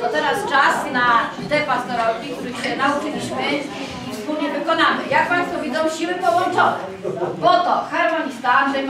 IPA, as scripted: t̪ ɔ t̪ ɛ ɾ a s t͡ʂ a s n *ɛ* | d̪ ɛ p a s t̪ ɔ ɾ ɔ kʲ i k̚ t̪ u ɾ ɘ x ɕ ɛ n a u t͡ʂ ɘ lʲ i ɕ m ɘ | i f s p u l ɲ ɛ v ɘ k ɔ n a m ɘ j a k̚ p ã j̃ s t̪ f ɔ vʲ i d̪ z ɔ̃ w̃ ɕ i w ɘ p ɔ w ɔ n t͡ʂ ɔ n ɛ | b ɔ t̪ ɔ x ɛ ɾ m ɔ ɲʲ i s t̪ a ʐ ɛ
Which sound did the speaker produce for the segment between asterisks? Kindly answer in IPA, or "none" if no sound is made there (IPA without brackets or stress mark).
a